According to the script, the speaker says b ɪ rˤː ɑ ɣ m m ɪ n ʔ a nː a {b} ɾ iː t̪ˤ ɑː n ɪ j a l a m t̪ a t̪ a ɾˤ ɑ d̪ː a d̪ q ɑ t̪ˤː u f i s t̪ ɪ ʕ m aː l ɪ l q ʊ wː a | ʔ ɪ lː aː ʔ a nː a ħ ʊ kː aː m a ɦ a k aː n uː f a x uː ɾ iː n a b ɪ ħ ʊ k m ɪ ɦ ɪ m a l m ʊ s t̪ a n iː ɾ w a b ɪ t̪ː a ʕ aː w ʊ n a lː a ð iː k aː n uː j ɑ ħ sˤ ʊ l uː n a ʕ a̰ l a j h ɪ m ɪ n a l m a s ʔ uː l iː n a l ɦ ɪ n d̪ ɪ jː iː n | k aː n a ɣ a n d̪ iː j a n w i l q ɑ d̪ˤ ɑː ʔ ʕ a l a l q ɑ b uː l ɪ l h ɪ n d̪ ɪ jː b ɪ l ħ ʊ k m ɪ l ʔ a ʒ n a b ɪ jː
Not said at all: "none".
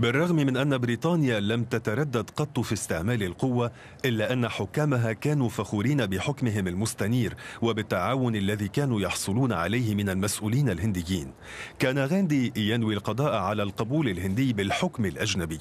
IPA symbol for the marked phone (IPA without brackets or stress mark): b